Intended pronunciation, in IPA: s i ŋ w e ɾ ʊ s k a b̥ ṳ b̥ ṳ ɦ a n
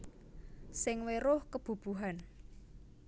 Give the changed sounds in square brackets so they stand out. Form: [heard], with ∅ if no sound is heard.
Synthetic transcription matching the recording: s [ɪ] ŋ w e ɾ ʊ [h] k [ə] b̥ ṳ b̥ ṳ ɦ a n